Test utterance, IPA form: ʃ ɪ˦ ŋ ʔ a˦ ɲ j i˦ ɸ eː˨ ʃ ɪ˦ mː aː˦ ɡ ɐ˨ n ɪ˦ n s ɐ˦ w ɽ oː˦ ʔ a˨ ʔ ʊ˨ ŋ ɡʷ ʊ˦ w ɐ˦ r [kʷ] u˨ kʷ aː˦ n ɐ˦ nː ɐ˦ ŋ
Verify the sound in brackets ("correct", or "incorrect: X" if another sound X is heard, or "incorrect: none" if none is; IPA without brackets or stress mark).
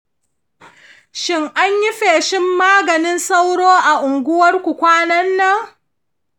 correct